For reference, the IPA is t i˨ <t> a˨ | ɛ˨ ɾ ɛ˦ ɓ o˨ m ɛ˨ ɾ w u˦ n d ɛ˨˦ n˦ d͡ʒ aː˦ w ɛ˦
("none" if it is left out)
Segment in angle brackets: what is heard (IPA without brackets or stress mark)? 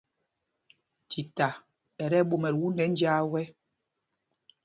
t